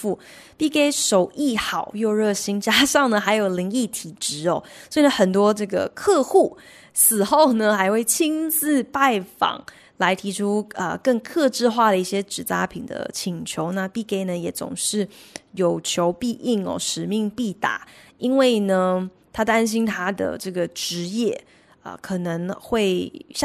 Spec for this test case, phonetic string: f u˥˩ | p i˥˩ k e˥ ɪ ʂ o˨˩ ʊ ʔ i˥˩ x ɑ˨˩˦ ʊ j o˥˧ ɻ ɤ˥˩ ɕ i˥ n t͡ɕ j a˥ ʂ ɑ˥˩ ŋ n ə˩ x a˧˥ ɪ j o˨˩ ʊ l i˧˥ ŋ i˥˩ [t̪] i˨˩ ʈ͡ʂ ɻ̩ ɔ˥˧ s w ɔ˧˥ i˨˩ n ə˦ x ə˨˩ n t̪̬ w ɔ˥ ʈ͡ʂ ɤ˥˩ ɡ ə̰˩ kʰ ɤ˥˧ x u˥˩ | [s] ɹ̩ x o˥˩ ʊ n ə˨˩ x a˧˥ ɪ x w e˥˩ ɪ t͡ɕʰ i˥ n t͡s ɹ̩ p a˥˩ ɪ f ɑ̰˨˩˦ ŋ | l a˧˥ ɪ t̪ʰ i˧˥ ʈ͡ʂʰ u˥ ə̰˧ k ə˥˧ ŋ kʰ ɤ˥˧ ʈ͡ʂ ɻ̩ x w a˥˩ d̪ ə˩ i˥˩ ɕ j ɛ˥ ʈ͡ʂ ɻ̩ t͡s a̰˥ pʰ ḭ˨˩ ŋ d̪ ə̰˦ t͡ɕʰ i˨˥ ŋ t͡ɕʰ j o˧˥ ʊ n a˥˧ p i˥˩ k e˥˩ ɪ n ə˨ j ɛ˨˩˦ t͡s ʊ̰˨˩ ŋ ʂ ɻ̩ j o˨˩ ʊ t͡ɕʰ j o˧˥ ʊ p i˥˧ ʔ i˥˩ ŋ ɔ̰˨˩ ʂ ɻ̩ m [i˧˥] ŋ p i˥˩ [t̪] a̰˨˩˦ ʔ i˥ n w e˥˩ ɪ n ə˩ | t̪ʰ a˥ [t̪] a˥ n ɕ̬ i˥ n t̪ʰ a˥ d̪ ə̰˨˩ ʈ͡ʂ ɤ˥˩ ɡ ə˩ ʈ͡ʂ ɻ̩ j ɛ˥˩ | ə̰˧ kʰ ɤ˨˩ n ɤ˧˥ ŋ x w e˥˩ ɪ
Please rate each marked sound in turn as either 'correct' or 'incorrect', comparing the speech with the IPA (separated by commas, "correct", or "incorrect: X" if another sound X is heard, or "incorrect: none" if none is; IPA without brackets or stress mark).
incorrect: t̪ʰ, correct, incorrect: i˥˧, correct, correct